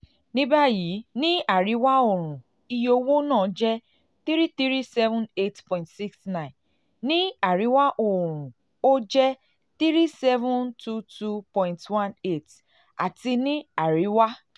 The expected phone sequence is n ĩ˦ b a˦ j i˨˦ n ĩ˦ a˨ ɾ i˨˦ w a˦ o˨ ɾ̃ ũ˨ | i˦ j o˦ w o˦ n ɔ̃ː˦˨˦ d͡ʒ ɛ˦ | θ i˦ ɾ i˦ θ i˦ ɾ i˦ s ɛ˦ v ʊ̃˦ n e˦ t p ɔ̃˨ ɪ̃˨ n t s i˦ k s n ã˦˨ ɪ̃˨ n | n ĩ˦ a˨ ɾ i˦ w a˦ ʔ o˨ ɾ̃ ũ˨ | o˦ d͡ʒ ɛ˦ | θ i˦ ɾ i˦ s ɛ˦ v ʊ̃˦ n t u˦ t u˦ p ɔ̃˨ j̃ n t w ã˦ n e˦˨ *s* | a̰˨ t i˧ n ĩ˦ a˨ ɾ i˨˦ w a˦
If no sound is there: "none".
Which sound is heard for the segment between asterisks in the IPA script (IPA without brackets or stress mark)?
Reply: t